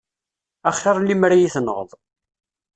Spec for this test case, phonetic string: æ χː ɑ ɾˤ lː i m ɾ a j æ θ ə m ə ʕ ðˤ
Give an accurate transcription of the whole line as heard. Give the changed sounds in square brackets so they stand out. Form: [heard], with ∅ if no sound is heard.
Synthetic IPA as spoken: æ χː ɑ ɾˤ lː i m ɾ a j [i] θ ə [n] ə [ʁ] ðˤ